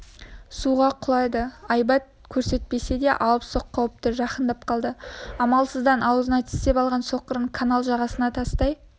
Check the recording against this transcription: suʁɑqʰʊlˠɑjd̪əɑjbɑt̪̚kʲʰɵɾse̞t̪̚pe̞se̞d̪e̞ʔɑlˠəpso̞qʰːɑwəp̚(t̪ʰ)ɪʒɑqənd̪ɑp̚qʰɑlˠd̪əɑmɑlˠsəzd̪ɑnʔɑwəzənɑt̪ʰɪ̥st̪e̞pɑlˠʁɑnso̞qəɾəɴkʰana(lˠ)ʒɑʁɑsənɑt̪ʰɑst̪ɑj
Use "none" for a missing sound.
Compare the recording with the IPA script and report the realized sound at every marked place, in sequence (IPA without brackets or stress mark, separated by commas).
t̪, lˠ